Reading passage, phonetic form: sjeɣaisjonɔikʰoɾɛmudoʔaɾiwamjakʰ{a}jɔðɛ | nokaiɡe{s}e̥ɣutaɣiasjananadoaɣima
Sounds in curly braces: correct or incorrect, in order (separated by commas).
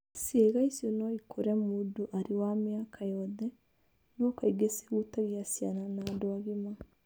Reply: correct, correct